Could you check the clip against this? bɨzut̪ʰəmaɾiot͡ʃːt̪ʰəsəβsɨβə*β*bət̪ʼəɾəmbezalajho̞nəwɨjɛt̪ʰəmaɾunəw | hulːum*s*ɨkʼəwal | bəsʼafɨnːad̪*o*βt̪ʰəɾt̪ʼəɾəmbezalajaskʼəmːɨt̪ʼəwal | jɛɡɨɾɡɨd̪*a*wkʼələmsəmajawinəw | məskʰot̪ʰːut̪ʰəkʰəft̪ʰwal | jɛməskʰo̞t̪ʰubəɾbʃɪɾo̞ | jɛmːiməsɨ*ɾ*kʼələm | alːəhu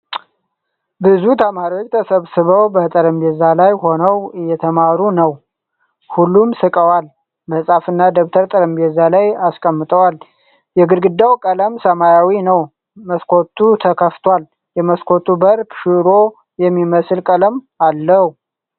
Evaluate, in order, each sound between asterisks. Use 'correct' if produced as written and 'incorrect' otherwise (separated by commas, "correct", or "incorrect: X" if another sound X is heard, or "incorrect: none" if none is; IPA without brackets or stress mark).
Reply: incorrect: w, correct, correct, correct, incorrect: l